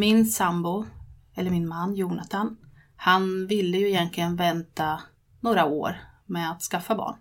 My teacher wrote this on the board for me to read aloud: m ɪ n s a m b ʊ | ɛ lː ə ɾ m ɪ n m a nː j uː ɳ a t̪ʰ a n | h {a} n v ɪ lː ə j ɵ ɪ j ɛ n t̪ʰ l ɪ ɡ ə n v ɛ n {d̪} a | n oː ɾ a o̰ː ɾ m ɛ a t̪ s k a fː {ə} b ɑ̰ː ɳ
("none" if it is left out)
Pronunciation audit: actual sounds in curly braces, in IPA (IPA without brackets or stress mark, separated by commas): a, t̪, a